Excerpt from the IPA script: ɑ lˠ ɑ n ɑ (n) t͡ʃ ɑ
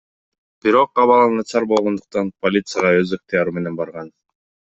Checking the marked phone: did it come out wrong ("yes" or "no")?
yes